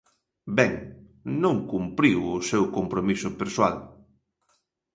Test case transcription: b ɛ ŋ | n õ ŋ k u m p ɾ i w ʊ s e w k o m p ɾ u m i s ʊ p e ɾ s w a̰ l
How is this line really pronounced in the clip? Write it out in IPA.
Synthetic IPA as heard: b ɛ ŋ | n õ ŋ k u m p ɾ i w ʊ s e w k o m p ɾ o m i s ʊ p e ɾ s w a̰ l